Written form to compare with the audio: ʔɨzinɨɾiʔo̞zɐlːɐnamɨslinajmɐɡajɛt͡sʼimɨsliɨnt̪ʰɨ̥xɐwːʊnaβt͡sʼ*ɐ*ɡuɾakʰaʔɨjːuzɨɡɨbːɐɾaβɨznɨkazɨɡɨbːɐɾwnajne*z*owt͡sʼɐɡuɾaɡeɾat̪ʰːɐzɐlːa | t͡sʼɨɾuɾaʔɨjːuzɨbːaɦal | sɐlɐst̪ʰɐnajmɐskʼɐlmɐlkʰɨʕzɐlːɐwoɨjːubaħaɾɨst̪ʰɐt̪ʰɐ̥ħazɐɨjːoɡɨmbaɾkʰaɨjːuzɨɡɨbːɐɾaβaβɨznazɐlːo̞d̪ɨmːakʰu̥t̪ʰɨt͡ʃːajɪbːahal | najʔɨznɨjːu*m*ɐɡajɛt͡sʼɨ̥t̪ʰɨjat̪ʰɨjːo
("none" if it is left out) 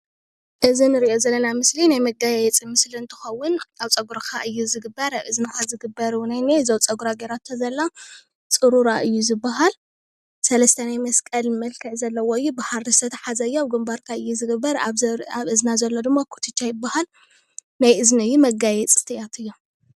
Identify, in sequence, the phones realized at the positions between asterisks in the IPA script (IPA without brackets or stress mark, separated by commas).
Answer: ɐ, z, m